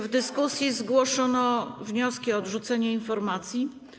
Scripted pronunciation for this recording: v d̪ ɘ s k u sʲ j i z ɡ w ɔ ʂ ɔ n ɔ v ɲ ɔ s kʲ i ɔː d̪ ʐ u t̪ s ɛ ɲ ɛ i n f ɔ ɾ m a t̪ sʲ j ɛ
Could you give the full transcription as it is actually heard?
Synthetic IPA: v d̪ ɘ s k u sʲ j i z ɡ w ɔ ʂ ɔ n ɔ v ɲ ɔ s kʲ i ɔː d̪ ʐ u t̪ s ɛ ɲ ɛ i n f ɔ ɾ m a t̪ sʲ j i